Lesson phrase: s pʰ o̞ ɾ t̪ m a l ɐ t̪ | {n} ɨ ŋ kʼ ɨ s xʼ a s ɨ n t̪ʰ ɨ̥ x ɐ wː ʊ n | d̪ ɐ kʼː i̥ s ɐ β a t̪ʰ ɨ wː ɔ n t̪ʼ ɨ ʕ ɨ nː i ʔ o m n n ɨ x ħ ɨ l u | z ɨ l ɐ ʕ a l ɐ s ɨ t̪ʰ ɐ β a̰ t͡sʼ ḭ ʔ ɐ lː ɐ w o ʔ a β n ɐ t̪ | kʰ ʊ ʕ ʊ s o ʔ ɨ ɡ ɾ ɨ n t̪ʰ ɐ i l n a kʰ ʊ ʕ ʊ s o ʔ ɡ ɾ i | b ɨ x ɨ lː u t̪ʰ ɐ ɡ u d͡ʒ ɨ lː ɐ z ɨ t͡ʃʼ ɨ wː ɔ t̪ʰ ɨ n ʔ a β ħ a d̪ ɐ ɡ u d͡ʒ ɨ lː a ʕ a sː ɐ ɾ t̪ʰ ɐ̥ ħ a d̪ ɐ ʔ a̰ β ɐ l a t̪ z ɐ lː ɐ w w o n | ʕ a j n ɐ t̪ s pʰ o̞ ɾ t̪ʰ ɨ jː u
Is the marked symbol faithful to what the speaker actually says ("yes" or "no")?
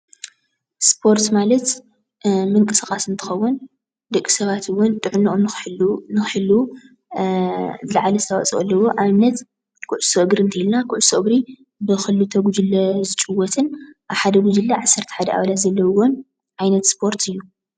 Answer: no